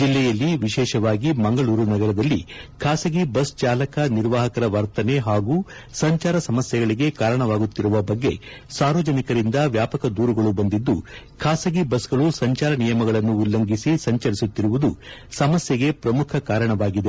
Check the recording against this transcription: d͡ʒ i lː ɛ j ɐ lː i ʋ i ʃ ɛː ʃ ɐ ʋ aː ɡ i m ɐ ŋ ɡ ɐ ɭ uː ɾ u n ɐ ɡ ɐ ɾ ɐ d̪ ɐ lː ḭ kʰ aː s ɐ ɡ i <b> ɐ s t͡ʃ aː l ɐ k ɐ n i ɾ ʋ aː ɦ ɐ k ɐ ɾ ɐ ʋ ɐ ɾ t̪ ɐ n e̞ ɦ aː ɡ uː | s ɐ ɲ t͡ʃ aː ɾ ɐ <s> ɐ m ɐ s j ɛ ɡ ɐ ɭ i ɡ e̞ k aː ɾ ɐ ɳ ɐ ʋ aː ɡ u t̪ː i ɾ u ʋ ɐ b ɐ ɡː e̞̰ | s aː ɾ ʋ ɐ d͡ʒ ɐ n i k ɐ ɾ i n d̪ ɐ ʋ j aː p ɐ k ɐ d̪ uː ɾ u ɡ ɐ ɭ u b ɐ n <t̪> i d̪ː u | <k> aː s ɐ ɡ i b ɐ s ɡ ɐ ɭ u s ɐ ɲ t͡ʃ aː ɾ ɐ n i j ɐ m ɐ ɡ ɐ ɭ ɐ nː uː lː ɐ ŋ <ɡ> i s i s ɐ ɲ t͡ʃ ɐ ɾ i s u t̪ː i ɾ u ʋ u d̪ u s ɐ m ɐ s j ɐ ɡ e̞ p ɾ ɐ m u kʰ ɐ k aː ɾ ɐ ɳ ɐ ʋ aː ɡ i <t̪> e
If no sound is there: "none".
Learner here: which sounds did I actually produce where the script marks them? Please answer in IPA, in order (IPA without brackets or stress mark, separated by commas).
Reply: b, s, d̪, kʰ, ɡ, d̪